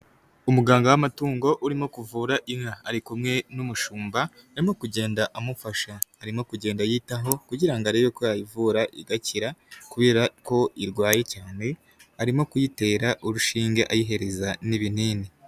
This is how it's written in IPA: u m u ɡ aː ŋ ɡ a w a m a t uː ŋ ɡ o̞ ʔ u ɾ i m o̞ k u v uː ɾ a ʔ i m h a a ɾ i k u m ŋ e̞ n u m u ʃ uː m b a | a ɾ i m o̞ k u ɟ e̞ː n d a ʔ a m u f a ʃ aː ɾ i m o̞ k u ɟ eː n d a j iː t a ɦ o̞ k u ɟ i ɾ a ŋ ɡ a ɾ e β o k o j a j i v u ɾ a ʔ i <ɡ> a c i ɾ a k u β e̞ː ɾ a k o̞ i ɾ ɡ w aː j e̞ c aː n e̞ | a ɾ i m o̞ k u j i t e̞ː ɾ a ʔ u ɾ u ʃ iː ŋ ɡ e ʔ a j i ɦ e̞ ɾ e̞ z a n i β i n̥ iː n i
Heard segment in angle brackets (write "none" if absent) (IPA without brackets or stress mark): ɡ